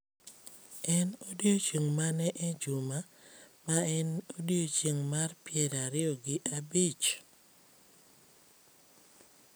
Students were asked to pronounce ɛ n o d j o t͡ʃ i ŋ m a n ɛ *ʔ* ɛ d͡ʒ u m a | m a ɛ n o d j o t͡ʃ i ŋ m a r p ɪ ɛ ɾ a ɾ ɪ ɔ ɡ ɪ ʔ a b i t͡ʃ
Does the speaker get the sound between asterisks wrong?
no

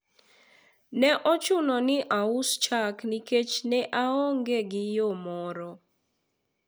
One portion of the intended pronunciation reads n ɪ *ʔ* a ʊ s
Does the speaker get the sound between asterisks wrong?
no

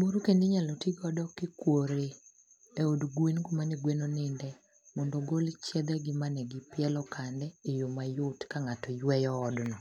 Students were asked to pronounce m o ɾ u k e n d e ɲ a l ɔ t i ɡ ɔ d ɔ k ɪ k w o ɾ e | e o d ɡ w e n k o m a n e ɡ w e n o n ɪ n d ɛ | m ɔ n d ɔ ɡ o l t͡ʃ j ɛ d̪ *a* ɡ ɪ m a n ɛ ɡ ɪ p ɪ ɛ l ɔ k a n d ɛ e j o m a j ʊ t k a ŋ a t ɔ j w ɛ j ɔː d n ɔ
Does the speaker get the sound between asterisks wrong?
yes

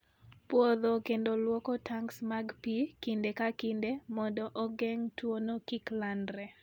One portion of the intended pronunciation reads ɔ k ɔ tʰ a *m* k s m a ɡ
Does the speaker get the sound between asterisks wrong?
yes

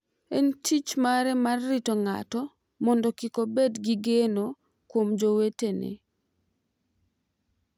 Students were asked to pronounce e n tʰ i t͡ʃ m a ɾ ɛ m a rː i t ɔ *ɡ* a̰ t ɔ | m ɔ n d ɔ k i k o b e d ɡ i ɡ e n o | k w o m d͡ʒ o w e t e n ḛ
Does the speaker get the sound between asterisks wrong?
yes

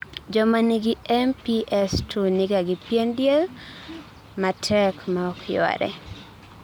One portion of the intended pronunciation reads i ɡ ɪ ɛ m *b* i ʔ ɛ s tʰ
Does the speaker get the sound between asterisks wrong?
yes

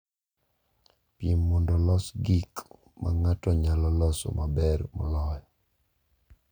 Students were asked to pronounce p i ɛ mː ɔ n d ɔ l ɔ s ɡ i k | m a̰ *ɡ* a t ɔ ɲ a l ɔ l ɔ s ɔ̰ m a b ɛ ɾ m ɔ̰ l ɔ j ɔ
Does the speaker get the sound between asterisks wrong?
yes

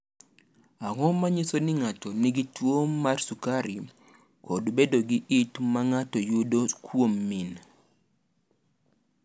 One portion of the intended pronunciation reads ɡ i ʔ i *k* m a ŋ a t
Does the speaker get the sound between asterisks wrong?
yes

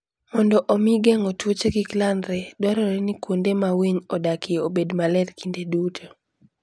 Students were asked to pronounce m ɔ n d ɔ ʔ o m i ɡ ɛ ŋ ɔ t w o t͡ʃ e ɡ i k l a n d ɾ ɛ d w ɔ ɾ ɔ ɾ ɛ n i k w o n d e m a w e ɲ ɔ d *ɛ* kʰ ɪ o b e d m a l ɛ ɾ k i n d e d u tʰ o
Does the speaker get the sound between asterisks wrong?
yes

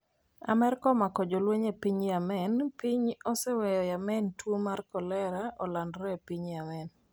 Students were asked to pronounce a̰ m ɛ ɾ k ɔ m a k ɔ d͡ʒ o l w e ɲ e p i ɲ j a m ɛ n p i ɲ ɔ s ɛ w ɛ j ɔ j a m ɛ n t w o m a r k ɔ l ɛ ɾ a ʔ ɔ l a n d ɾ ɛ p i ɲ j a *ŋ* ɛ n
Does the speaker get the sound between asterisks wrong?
yes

